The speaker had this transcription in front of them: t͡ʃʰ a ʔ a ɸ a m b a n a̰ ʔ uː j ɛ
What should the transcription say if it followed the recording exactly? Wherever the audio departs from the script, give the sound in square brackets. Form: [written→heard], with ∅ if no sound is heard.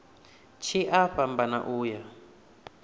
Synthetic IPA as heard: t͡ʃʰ [a→i] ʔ a ɸ a m b a n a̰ ʔ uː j [ɛ→a]